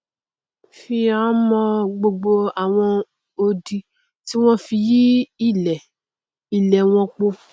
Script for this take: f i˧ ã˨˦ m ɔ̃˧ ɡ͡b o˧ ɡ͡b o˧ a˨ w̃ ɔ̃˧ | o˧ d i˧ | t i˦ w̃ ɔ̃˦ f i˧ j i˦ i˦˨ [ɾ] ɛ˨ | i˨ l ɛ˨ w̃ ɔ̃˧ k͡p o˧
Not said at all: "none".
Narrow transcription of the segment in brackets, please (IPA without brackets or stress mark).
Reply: l